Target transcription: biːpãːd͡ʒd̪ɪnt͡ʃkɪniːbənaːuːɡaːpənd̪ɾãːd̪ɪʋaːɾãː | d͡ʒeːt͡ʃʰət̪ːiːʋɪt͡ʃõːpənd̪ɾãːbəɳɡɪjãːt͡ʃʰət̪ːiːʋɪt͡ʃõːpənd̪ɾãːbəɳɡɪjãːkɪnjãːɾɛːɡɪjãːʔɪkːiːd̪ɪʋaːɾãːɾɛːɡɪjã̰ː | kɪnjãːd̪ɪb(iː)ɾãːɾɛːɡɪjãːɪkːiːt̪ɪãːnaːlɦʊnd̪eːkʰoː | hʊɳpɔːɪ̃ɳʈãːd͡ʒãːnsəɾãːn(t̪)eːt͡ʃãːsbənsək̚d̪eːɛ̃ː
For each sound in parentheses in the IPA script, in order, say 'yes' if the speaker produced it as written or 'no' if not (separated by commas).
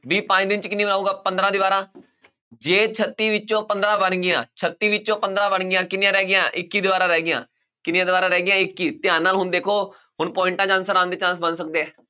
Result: no, no